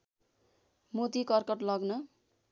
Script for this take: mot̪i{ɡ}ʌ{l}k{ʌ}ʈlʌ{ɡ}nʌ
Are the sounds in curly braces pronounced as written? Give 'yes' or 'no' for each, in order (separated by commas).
no, no, yes, yes